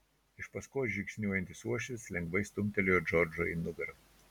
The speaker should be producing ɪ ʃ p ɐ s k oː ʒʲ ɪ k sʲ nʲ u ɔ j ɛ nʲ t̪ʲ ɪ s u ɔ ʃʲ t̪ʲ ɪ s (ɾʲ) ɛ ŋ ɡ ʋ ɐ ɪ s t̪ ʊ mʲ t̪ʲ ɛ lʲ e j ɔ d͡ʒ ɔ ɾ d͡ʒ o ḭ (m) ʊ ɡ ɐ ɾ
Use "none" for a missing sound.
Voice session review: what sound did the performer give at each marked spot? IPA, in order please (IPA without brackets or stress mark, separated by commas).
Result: lʲ, n